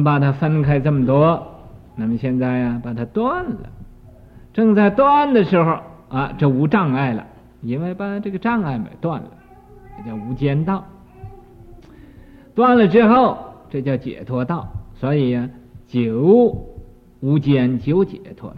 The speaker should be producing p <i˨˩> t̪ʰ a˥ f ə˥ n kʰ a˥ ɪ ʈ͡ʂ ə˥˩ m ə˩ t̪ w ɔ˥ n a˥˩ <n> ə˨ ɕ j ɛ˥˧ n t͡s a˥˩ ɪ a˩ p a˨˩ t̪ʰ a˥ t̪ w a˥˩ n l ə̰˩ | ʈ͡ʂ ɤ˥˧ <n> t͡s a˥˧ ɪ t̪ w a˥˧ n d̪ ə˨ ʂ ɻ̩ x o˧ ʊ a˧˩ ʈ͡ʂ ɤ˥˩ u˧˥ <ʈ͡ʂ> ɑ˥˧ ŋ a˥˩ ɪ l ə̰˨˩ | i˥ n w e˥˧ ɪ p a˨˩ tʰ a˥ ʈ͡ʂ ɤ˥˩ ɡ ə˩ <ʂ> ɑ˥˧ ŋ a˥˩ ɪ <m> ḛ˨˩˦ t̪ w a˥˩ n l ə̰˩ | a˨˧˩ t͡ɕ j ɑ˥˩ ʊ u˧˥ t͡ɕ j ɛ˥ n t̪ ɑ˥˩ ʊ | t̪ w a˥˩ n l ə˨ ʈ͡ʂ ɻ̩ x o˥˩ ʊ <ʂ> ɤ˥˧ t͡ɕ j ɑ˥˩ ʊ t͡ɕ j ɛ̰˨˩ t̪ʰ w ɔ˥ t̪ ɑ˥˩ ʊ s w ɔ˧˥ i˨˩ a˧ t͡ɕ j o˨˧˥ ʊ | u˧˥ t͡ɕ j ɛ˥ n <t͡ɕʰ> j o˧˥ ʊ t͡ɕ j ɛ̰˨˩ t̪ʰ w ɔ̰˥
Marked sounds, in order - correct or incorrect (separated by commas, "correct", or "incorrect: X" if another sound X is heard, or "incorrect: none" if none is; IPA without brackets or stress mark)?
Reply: incorrect: a˨˩, incorrect: m, incorrect: ŋ, correct, incorrect: ʈ͡ʂ, correct, incorrect: ʈ͡ʂ, incorrect: t͡ɕ